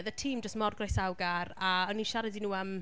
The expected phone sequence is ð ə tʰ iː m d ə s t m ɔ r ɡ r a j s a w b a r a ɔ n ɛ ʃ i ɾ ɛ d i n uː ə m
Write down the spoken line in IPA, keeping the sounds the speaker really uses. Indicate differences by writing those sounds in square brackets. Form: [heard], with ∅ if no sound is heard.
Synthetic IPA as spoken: ð ə tʰ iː m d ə s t m ɔ r ɡ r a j s a w [ɡ] a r a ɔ n [i] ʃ [a] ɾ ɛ d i n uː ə m